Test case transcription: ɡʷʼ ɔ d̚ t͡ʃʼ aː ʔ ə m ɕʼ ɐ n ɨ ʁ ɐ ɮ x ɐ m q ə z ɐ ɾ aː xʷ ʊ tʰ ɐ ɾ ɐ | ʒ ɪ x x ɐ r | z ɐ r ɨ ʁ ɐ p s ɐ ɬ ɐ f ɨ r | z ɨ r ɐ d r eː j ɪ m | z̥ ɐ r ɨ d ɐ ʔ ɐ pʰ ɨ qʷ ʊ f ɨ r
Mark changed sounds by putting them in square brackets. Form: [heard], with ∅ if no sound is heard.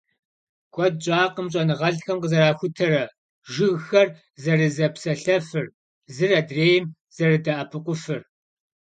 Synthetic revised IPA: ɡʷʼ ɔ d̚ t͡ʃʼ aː [q] ə m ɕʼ ɐ n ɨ ʁ ɐ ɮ x ɐ m q ə z ɐ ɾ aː xʷ ʊ tʰ ɐ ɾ ɐ | ʒ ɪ [ɣ] x ɐ r | z ɐ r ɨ [z] ɐ p s ɐ ɬ ɐ f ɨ r | z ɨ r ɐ d r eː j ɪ m | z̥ ɐ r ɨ d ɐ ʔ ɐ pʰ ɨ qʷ ʊ f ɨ r